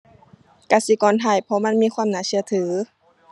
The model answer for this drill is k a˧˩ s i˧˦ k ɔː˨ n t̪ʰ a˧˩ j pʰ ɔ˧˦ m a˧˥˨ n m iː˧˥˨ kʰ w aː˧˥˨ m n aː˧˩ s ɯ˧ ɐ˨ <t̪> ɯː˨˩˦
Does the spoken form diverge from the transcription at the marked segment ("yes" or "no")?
yes